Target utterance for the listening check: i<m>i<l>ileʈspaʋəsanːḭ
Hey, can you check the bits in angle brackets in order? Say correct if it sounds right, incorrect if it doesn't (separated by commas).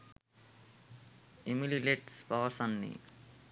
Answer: correct, correct